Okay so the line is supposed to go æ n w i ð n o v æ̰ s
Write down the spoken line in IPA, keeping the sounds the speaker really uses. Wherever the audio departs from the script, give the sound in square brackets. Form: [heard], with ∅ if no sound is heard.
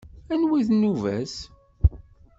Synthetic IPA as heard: æ n w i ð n [u] v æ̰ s